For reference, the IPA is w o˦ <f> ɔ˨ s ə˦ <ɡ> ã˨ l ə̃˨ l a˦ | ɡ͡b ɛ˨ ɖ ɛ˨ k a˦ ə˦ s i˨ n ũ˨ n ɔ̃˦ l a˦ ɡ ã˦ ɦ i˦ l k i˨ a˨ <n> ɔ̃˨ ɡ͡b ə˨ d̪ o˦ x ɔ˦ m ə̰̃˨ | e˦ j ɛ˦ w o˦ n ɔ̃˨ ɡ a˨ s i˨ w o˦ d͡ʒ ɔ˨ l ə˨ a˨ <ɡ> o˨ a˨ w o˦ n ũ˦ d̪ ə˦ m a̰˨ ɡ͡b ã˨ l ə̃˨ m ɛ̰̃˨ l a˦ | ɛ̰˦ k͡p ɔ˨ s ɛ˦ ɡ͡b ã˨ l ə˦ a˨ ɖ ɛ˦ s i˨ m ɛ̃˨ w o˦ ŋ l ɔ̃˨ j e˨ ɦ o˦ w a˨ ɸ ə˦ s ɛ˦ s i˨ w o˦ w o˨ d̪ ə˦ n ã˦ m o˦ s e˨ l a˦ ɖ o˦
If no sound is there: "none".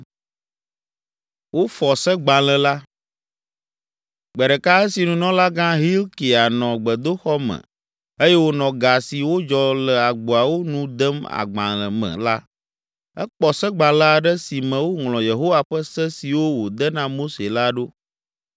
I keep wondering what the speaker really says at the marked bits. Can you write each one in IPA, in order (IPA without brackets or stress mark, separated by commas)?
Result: f, ɡ͡b, n, ɡ͡b